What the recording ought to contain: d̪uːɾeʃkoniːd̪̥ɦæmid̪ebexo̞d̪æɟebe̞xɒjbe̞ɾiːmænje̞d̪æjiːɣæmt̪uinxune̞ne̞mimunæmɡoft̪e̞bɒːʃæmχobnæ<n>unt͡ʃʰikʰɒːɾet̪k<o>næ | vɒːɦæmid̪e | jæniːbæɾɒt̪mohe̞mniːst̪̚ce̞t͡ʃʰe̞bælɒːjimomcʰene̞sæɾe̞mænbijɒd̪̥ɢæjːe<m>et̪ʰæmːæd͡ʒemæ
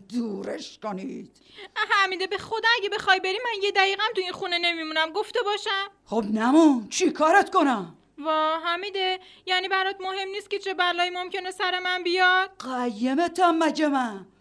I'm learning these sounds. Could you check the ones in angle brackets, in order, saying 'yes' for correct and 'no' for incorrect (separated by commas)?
no, yes, yes